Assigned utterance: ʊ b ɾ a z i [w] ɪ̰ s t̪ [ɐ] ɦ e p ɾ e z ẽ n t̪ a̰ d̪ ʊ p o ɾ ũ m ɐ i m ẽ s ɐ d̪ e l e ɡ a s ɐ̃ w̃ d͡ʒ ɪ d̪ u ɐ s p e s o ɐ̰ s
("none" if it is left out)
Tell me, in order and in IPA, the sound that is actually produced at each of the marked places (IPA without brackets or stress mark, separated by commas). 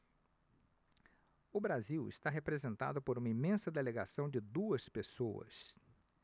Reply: w, a